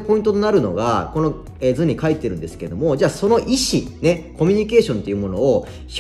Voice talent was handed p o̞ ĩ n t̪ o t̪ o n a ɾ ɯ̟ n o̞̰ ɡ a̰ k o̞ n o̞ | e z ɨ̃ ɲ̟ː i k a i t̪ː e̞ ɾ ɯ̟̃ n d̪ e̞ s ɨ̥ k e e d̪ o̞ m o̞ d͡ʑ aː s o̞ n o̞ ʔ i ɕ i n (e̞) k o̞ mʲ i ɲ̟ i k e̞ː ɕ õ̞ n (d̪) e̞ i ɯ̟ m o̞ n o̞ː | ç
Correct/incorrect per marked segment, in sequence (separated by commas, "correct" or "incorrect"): correct, incorrect